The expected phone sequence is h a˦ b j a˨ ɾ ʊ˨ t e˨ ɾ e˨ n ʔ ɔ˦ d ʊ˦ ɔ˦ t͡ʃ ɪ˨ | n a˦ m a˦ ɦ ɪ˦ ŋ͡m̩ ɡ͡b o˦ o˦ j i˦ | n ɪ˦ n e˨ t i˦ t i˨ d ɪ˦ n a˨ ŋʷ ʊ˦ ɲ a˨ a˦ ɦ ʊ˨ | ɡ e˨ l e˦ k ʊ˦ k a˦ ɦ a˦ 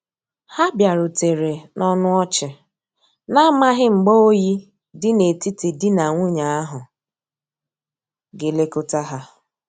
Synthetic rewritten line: h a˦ b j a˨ ɾ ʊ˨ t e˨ ɾ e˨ n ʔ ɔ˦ n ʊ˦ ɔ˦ t͡ʃ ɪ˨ | n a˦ m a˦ ɦ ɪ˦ ŋ͡m̩ ɡ͡b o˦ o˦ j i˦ | d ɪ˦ n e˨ t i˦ t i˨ d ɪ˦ n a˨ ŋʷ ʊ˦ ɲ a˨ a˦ ɦ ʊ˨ | ɡ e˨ l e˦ k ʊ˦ t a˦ ɦ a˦